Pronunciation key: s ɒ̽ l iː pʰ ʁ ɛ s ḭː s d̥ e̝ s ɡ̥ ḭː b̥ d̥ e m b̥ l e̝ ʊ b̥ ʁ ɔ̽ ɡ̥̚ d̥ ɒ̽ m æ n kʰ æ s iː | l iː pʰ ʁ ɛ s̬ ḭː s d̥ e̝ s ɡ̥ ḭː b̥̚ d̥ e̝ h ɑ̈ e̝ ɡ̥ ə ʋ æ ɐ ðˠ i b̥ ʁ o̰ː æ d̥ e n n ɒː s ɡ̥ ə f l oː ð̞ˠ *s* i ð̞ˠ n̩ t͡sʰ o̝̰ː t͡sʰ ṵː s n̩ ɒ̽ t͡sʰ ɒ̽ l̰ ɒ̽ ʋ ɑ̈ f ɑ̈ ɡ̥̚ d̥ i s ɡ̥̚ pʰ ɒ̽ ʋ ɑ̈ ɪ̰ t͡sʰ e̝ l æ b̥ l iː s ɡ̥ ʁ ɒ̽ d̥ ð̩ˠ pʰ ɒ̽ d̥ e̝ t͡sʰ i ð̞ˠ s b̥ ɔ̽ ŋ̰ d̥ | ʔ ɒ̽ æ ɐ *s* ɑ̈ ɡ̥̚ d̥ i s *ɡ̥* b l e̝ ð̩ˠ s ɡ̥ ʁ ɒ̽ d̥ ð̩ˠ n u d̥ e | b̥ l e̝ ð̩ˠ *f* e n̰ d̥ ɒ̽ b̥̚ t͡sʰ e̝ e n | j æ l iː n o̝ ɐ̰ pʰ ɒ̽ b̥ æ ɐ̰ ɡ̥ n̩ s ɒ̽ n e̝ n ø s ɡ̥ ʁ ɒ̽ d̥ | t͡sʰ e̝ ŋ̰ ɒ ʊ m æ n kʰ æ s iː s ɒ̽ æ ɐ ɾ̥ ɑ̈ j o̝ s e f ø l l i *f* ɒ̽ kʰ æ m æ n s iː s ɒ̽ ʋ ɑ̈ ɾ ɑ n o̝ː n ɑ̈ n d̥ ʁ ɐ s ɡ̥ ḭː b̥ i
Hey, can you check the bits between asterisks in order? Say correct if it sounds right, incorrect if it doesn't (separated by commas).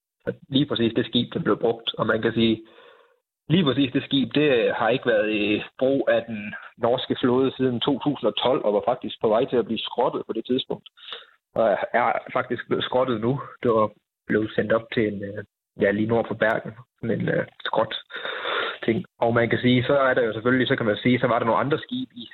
correct, incorrect, correct, incorrect, incorrect